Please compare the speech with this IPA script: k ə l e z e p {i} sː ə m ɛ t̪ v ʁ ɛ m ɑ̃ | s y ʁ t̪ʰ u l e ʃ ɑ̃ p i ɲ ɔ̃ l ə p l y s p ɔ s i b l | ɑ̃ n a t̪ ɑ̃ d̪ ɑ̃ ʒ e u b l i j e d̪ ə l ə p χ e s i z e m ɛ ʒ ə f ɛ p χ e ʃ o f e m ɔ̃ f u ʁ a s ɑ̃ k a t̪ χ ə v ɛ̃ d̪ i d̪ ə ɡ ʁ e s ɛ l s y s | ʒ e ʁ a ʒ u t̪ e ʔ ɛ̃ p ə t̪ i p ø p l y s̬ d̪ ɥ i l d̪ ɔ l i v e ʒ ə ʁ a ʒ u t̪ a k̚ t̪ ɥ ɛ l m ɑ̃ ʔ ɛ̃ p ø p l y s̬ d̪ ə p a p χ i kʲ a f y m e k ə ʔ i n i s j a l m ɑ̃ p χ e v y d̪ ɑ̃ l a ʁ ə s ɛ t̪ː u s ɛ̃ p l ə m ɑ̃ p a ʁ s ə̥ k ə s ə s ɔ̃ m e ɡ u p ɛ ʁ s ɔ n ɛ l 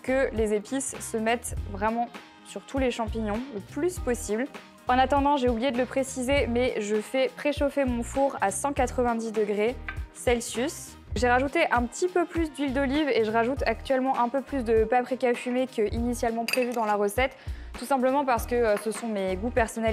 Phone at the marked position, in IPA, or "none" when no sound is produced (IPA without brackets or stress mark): i